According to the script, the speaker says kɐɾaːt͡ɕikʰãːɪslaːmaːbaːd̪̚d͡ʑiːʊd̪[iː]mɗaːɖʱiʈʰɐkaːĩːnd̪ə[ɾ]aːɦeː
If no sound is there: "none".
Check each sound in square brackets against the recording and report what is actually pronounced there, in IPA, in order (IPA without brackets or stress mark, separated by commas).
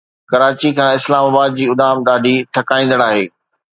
aː, ɽ